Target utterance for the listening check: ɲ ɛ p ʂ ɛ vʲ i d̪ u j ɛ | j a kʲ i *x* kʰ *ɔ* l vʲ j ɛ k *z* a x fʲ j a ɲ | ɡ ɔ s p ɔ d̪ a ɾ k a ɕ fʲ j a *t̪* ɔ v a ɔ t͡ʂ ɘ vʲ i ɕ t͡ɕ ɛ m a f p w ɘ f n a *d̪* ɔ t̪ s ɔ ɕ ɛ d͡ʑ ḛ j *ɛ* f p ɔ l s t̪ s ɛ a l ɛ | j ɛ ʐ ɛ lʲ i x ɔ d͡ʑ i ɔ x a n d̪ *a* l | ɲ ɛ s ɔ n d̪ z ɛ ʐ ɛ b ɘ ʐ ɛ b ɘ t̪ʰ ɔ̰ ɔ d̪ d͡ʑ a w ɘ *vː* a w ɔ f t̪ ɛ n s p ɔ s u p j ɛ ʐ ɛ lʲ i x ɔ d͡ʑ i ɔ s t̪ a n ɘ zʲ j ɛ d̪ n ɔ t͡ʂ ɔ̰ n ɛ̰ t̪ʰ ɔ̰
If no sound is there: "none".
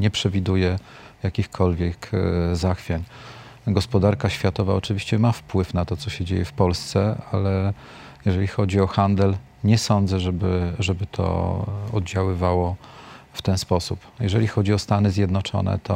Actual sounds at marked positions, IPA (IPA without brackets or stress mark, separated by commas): x, ɔ, z, t̪, t̪, ɛ, ɛ, v